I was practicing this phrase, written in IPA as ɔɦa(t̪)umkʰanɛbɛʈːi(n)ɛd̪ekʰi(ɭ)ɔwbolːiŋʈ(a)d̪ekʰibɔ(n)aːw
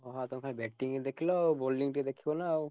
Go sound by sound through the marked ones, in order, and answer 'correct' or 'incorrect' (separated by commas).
correct, incorrect, incorrect, incorrect, correct